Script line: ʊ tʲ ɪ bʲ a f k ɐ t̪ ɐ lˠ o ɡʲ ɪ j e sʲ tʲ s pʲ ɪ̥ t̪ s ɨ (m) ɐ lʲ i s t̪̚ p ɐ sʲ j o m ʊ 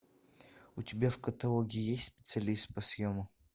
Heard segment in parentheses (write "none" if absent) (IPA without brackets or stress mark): none